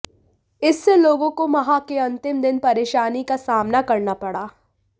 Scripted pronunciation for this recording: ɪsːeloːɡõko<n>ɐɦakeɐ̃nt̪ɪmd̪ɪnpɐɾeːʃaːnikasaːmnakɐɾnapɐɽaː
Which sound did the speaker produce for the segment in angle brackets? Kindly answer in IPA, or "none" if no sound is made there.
m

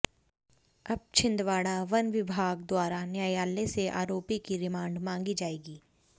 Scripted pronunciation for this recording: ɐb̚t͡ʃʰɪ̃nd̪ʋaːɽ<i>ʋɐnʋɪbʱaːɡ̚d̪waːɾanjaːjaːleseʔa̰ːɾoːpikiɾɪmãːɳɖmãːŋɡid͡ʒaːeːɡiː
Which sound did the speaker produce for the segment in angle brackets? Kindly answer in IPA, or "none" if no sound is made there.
a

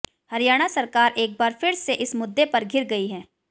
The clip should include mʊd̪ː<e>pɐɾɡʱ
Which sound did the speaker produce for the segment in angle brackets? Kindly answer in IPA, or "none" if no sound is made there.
e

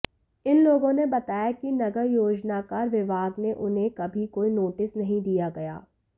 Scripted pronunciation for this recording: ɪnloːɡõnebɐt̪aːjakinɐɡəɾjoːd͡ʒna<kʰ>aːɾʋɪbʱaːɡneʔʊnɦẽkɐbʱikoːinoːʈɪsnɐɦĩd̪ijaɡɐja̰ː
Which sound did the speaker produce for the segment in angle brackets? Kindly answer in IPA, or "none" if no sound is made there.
k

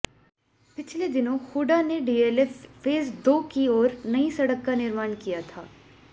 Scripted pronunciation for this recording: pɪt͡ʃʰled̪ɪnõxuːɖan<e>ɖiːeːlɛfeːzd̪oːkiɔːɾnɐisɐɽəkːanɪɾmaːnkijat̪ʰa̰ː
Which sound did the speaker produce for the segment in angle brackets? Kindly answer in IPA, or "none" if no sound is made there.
e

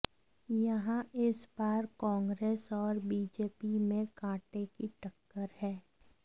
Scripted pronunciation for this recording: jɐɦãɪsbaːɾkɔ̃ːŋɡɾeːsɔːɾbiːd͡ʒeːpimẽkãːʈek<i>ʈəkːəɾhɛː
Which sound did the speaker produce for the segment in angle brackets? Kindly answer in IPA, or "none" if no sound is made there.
i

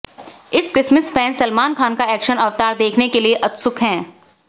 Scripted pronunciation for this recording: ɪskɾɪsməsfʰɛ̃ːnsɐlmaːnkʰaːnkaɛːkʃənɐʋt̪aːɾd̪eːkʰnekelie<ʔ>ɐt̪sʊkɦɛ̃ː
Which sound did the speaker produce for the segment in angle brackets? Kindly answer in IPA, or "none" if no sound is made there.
ʔ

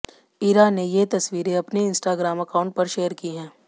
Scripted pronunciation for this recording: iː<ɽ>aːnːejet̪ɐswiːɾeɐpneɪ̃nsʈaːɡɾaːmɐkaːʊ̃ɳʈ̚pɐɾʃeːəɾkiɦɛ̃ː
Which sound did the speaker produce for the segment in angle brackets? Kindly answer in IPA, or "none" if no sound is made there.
ɾ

